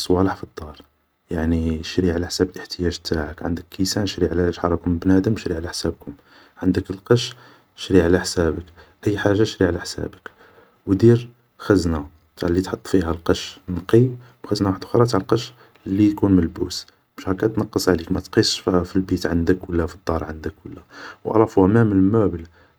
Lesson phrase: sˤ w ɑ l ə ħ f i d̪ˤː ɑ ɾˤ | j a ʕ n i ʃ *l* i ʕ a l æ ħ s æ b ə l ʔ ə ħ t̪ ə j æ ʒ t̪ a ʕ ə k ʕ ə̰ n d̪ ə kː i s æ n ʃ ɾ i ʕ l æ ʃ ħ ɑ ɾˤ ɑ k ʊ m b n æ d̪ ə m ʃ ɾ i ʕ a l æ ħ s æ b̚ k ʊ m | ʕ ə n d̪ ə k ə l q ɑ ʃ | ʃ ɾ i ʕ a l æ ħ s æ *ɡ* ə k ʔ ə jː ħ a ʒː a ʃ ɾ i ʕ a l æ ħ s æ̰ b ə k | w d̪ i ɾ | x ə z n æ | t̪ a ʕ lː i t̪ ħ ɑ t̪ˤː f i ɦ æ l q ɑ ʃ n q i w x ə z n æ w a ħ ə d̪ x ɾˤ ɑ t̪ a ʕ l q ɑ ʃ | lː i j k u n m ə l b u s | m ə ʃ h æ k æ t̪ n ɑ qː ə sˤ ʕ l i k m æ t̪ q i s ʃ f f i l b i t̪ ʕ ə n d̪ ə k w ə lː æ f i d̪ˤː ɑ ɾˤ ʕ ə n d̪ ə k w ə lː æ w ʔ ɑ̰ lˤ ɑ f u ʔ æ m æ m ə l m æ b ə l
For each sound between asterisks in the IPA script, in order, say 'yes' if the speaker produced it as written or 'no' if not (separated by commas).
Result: no, no